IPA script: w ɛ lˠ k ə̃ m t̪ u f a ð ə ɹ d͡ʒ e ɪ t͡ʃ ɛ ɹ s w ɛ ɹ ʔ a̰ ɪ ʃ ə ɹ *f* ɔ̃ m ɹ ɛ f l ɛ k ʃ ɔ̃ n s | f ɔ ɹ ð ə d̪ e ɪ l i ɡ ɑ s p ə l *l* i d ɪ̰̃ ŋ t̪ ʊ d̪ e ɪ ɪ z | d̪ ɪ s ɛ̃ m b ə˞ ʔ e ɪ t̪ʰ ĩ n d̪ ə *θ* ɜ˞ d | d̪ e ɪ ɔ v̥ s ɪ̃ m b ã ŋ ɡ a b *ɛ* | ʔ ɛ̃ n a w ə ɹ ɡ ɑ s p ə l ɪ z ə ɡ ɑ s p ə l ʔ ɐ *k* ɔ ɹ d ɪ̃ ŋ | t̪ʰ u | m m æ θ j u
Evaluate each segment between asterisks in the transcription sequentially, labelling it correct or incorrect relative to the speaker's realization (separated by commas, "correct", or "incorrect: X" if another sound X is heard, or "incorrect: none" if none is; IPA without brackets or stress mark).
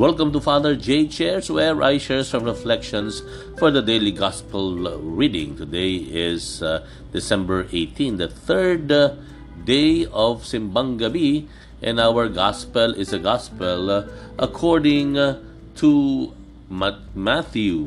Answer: incorrect: s, incorrect: ɹ, correct, incorrect: i, incorrect: kʰ